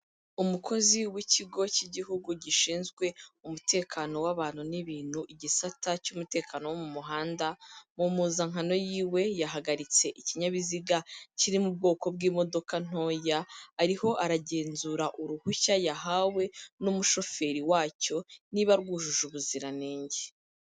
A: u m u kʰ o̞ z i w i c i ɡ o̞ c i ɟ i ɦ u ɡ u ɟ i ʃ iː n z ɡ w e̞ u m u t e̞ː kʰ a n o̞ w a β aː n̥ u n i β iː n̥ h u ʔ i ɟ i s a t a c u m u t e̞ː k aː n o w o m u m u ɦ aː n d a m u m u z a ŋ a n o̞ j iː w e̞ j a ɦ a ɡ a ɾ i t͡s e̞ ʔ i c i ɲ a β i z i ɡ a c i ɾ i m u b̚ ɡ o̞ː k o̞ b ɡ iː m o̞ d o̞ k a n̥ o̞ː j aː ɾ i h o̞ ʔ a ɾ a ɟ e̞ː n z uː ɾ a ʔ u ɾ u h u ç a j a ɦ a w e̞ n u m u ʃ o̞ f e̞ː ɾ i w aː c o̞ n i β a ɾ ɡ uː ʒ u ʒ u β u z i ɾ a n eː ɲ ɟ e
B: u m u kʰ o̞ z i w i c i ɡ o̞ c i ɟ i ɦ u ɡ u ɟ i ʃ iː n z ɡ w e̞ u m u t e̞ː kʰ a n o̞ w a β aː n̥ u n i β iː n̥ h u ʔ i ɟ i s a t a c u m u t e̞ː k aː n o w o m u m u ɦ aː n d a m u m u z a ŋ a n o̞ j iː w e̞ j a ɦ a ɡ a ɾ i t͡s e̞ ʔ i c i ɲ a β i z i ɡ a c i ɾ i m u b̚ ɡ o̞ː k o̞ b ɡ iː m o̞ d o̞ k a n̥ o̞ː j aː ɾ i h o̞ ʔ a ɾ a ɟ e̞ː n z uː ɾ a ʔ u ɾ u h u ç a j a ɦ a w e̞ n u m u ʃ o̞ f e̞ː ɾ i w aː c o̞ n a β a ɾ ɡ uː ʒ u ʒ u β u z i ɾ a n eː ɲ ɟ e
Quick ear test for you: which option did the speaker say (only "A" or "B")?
A